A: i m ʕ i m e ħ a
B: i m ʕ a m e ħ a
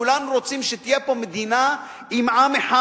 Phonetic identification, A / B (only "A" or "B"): B